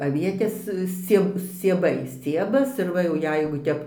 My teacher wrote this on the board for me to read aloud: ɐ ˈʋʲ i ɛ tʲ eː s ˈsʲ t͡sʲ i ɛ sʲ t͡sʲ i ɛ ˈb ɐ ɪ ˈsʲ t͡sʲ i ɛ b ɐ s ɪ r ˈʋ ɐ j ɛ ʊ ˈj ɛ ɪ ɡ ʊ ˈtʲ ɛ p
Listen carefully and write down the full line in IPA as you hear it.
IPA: ɐ ˈʋʲ i ɛ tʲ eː s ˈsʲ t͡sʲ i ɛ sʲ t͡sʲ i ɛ ˈb ɐ ɪ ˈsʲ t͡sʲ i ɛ b ɐ s ɪ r ˈʋ ɐ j ɛ ʊ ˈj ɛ ɪ ɡ ʊ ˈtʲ ɛ p